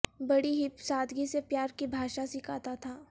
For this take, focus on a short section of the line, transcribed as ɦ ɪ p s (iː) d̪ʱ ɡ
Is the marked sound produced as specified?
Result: no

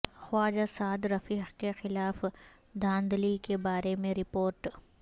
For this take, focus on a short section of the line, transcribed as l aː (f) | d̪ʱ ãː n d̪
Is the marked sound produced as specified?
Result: yes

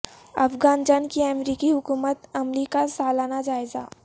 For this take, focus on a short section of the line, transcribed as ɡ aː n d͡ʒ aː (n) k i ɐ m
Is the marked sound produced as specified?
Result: yes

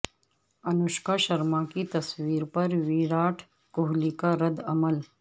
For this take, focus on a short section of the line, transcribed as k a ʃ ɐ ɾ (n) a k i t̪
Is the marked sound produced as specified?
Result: no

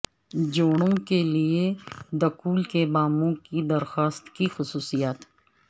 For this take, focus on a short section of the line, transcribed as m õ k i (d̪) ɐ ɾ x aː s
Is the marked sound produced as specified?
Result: yes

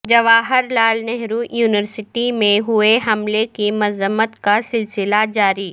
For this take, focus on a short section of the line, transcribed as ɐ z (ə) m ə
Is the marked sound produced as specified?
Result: yes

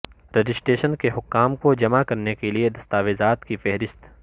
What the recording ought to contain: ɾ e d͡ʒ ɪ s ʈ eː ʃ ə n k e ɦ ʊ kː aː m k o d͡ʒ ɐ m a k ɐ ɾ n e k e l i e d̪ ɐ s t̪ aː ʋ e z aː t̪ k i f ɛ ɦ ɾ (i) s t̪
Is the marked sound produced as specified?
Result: no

